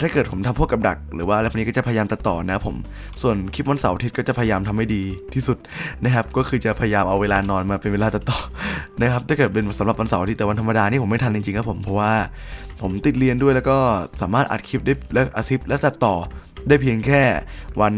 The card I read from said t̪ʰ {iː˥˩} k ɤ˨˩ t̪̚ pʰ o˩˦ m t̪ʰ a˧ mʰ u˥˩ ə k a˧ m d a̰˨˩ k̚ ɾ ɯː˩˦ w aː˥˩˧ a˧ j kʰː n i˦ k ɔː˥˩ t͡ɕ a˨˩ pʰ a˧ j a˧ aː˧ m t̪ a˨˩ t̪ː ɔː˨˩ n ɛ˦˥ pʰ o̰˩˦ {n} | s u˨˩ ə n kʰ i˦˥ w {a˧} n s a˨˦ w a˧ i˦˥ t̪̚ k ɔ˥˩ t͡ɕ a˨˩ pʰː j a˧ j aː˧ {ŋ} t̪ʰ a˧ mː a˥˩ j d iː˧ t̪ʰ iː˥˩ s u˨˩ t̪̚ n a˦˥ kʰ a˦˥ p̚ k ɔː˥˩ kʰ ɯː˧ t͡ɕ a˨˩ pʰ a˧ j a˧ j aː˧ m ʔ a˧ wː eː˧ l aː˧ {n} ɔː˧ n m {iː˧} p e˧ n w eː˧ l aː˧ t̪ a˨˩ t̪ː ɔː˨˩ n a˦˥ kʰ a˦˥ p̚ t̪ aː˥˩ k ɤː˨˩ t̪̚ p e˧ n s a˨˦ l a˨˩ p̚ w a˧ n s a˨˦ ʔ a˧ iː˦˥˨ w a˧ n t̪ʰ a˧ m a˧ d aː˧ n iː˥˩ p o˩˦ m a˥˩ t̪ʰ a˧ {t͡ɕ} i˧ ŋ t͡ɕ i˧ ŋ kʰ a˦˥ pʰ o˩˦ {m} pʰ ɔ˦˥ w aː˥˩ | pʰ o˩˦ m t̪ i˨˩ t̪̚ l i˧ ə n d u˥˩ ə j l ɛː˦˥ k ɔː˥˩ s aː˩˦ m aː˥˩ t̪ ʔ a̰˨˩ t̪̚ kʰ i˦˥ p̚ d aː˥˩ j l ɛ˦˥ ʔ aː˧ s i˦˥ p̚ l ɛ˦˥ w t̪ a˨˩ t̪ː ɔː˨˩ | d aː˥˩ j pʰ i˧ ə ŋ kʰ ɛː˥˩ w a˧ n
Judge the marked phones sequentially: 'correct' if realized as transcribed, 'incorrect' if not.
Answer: incorrect: aː˥˩, incorrect: m, correct, incorrect: m, correct, incorrect: aː˧, correct, correct

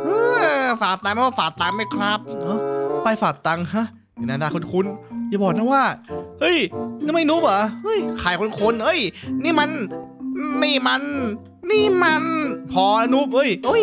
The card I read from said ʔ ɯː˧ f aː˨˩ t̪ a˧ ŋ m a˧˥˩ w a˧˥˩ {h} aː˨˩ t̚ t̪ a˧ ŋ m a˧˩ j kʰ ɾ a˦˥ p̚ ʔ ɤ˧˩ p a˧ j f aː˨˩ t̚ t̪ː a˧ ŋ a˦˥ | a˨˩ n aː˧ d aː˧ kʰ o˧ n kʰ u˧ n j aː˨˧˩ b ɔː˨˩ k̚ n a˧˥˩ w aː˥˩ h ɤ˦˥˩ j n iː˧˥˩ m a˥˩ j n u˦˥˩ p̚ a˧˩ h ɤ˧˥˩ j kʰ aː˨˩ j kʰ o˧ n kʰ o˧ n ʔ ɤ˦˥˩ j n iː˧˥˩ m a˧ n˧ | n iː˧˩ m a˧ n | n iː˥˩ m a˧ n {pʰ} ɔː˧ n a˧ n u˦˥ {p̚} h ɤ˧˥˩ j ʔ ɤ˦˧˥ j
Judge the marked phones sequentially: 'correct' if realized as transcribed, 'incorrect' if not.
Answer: incorrect: f, correct, correct

